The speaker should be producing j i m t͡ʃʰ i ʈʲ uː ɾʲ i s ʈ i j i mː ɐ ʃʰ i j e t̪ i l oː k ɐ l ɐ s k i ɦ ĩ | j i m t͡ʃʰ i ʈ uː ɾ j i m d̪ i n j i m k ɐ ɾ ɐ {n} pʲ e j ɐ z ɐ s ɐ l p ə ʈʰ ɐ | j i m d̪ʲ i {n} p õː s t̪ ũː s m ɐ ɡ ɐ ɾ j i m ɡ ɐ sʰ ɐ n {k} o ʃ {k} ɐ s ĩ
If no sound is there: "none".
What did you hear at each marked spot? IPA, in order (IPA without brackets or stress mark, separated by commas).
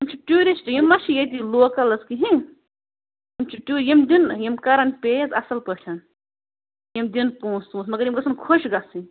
n, n, kʰ, ɡ